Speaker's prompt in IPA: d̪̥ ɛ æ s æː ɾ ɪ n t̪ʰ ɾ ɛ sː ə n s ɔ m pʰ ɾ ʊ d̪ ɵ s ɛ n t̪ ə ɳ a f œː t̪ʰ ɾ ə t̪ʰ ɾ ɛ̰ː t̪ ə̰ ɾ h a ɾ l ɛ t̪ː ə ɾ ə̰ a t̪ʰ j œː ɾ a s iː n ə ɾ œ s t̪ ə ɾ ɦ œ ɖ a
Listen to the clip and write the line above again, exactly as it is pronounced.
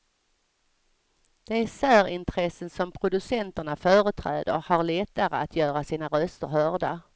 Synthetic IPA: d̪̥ ɛ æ s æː ɾ ɪ n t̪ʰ ɾ ɛ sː ə n s ɔ m pʰ ɾ ʊ d̪ ɵ s ɛ n t̪ ə ɳ a f œː ɾ ə t̪ʰ ɾ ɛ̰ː d̪ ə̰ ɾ h a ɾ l ɛ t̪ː a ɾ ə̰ a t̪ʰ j œː ɾ a s iː n a ɾ œ s t̪ ə ɾ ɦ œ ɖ a